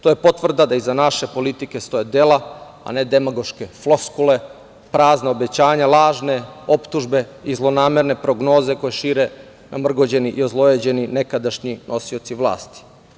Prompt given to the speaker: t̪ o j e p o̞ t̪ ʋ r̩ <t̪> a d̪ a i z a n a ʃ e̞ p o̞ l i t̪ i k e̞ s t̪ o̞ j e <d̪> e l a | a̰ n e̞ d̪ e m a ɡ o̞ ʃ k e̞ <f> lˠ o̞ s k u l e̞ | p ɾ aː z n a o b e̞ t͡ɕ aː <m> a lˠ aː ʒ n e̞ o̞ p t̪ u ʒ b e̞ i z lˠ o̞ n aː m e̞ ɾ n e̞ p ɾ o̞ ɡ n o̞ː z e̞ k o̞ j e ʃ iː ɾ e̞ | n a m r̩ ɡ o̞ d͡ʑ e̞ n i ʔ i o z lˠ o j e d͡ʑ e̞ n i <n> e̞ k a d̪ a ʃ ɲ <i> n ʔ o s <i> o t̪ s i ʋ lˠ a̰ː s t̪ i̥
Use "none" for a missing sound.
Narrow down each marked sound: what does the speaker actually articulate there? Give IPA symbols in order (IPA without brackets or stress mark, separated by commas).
d̪, d̪, f, ɲ, n, i, i